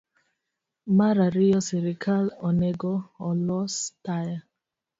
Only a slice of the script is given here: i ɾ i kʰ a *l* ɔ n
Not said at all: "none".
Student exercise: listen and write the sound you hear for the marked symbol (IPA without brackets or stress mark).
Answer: l